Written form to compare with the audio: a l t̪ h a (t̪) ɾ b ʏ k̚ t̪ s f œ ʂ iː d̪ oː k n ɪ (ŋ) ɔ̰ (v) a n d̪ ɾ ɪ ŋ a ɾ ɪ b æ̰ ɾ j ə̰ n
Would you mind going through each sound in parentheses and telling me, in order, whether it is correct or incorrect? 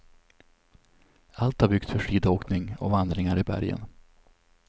incorrect, correct, correct

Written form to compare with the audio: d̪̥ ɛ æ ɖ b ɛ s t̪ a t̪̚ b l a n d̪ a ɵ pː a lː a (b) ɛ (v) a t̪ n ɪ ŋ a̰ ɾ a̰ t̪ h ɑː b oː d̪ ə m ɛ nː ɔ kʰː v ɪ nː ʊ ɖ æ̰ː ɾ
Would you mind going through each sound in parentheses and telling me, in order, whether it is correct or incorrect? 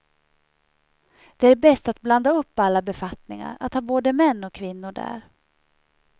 correct, incorrect

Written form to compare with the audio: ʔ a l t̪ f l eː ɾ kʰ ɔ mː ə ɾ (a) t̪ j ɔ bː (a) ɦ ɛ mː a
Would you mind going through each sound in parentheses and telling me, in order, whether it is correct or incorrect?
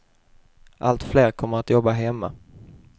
correct, correct

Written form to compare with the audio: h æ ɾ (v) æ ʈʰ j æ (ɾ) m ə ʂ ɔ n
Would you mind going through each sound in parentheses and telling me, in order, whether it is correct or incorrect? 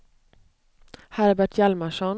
incorrect, incorrect

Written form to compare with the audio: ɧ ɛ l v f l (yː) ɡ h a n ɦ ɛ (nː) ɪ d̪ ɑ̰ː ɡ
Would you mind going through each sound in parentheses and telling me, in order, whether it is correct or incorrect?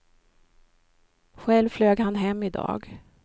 incorrect, incorrect

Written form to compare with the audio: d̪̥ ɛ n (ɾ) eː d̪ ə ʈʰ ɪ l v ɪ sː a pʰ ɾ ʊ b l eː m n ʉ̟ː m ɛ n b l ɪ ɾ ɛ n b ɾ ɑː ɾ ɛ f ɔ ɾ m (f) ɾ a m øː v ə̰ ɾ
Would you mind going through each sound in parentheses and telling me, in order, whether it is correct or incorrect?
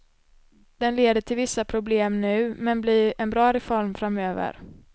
incorrect, correct

